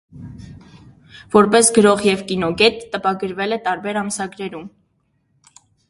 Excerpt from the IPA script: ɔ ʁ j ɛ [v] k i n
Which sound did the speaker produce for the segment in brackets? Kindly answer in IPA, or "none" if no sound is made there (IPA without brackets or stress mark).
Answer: v